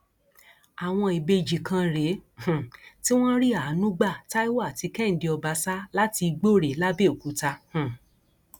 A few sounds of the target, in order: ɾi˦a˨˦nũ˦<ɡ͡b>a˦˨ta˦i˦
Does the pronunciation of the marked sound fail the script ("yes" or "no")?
no